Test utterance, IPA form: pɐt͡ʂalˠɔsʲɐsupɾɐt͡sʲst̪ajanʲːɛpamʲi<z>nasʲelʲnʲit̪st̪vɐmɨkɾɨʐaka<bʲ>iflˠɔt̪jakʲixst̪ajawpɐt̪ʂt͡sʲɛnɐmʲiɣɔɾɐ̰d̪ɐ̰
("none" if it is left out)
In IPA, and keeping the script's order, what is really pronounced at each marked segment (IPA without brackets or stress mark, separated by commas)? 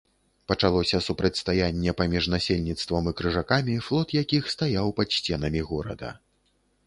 ʐ, mʲ